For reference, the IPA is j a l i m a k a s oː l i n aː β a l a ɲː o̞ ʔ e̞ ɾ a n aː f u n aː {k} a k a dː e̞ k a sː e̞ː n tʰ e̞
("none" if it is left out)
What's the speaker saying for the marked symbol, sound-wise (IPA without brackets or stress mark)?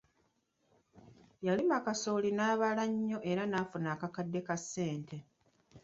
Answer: k